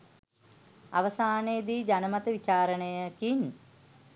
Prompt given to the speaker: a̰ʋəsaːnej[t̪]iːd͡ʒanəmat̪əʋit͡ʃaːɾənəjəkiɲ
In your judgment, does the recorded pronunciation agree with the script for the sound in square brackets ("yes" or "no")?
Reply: no